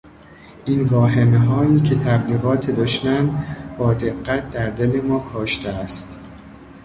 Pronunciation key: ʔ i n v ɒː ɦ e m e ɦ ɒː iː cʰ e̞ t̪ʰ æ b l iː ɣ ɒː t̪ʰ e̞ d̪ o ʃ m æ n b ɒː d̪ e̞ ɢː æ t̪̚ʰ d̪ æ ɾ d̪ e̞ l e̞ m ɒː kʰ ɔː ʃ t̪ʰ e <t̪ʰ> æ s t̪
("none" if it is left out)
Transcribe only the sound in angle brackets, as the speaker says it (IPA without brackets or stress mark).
none